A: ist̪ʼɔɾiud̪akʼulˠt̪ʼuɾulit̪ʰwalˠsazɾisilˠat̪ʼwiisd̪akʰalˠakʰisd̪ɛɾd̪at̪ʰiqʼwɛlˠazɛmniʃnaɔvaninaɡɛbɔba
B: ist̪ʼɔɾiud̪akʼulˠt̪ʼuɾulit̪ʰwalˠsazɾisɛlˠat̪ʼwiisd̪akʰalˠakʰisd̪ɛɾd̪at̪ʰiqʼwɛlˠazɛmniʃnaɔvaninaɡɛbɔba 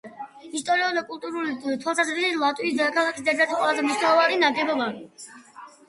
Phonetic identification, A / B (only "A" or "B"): A